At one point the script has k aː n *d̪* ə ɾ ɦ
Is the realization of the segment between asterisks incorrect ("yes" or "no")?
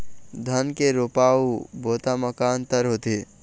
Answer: yes